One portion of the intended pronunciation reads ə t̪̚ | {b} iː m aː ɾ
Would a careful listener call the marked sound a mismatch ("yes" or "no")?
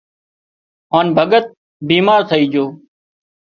no